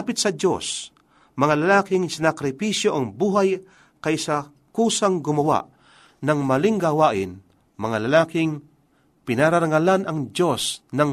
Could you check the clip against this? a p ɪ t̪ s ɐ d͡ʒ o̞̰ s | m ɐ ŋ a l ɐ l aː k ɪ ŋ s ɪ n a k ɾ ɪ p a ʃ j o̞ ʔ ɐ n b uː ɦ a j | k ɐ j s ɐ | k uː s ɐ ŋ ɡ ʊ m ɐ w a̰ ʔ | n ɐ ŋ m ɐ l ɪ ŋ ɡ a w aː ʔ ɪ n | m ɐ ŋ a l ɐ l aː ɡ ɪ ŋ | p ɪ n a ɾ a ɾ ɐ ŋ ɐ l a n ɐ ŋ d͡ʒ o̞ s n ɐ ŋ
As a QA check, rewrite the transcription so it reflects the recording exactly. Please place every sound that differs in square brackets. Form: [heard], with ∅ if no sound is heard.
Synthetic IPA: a p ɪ t̪ s ɐ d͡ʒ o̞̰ s | m ɐ ŋ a l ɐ l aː k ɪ ŋ s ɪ n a k ɾ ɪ p [i] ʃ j o̞ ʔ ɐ [ŋ] b uː ɦ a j | k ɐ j s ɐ | k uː s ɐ ŋ ɡ ʊ m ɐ w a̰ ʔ | n ɐ ŋ m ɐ l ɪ ŋ ɡ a w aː ʔ ɪ n | m ɐ ŋ a l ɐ l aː [k] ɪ ŋ | p ɪ n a ɾ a ɾ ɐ ŋ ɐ l a n ɐ ŋ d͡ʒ o̞ s n ɐ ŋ